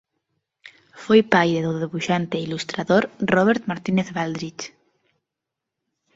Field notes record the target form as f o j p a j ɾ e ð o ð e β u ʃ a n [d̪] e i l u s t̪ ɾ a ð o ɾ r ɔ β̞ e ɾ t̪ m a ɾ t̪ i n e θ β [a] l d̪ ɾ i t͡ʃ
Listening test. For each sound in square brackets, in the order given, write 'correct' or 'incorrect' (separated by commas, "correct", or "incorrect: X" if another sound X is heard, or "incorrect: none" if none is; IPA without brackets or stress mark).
incorrect: t̪, correct